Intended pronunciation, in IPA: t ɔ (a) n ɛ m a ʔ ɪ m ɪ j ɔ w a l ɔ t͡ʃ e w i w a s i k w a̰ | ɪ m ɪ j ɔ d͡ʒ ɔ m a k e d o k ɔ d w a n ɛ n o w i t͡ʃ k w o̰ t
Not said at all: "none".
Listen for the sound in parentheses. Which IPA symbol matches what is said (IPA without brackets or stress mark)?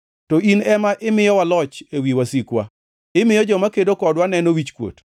i